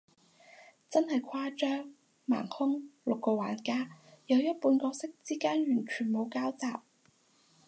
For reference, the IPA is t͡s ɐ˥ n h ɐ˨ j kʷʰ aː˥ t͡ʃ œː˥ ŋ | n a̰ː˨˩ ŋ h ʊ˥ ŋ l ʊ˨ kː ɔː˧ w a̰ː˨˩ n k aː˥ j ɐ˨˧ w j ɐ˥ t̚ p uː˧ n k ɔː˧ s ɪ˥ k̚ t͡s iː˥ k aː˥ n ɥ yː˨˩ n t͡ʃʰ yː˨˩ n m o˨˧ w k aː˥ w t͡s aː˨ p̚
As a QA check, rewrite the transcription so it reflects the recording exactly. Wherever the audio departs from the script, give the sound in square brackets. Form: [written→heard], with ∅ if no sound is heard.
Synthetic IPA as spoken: t͡s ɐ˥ n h ɐ˨ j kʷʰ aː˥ t͡ʃ œː˥ ŋ | [n→m] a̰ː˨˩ ŋ h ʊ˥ ŋ l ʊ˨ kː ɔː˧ w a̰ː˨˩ n k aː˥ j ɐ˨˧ w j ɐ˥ t̚ p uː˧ n k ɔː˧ s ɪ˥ k̚ t͡s iː˥ k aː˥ n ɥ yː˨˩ n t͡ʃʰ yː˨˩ n m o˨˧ w k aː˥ w t͡s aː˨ p̚